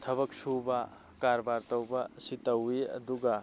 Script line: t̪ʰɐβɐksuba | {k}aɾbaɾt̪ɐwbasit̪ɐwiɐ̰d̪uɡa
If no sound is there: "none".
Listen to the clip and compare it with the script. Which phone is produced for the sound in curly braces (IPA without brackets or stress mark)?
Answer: k